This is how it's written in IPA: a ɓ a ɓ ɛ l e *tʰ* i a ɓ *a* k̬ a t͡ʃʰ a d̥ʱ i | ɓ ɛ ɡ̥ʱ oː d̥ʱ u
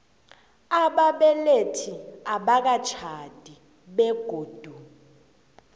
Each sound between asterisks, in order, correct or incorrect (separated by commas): correct, correct